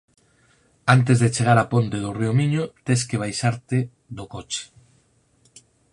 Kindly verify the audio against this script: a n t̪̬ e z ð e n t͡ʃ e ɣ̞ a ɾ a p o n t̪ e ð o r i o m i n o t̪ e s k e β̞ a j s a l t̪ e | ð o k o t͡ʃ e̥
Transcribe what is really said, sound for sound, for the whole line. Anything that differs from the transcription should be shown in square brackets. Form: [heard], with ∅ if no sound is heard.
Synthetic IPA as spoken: a n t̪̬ e z ð e [∅] t͡ʃ e ɣ̞ a ɾ a p o n t̪ e ð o r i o m i [ɲ] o t̪ e s k e β̞ a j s a [ɾ] t̪ e | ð o k o t͡ʃ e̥